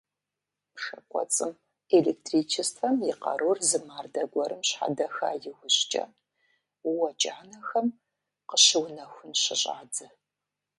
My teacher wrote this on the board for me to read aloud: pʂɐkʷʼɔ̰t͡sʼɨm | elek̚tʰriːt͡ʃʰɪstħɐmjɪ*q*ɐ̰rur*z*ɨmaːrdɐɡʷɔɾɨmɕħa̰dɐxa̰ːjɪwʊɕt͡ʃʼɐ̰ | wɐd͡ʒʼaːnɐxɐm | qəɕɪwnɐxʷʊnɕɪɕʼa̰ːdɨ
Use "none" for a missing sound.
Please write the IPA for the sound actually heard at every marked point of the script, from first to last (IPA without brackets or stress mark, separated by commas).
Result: q, z